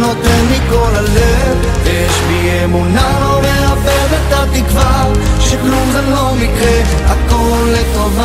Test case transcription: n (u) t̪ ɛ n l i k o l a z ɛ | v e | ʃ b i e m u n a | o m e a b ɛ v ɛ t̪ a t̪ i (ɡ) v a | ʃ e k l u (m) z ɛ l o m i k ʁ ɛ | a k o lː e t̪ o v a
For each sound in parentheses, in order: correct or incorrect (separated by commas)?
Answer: incorrect, incorrect, correct